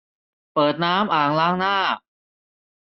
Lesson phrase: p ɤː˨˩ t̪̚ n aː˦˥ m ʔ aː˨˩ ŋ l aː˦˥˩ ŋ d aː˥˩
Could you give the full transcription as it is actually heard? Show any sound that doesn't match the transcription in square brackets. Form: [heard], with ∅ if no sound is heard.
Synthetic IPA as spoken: p ɤː˨˩ t̪̚ n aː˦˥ m ʔ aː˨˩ ŋ l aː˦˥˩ ŋ [n] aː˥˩